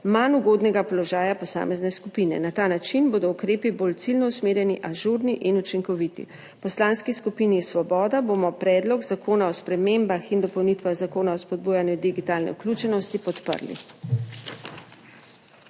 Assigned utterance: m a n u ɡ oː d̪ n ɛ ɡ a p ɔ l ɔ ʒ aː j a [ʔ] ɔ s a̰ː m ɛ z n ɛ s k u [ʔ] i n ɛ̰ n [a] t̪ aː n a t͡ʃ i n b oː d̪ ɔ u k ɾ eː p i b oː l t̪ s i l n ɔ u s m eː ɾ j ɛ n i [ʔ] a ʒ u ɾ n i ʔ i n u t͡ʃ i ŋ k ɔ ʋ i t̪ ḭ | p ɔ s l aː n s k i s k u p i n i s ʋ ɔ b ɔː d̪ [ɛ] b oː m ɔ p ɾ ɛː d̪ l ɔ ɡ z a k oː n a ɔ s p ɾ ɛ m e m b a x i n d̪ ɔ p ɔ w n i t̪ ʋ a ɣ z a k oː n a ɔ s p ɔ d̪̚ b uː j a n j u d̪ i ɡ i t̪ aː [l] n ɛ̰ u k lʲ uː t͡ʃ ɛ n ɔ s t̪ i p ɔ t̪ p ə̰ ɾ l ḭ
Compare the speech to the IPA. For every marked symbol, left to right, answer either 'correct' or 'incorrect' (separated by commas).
incorrect, incorrect, correct, correct, incorrect, correct